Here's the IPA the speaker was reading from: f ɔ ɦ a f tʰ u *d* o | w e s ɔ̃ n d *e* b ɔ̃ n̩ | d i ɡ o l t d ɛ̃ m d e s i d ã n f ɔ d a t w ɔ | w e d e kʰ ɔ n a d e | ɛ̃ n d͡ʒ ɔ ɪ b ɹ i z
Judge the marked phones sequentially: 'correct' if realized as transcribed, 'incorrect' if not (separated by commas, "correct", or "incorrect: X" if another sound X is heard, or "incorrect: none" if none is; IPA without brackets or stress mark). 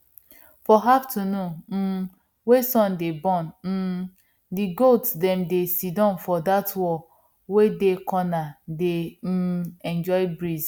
incorrect: n, correct